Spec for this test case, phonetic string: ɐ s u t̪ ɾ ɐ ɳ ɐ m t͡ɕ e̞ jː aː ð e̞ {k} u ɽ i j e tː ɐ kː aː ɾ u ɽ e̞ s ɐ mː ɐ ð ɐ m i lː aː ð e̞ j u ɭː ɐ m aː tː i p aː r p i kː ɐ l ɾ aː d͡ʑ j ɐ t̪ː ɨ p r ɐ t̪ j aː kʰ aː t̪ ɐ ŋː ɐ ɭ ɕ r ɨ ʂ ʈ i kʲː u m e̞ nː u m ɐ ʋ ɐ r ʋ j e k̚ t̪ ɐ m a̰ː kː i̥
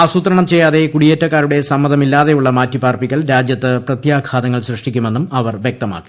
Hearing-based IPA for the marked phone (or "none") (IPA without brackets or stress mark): k